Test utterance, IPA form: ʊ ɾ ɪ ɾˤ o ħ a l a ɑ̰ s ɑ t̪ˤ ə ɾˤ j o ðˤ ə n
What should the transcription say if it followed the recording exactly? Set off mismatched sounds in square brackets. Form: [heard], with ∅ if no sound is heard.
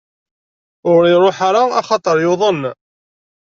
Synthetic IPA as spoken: ʊ ɾ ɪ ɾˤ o ħ a [ɾ] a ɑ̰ [χ] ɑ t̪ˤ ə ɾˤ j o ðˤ ə n